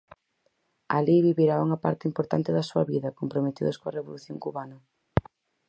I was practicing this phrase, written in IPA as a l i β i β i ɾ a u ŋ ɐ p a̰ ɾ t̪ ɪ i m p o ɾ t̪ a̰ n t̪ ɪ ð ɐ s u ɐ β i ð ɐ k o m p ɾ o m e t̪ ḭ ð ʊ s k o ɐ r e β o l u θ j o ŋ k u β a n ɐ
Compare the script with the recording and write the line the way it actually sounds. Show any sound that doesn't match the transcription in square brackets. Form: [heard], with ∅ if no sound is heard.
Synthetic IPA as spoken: a l i β i β i ɾ a u ŋ ɐ p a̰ ɾ t̪ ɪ i m p o ɾ t̪ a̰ n t̪ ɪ ð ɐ s u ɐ β i ð ɐ k o m p ɾ o m e t̪ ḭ ð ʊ s k o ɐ r e β o l u θ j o ŋ k u β a n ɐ